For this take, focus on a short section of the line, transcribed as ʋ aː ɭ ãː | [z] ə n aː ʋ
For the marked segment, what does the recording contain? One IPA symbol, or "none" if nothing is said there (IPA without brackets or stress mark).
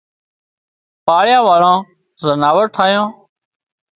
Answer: z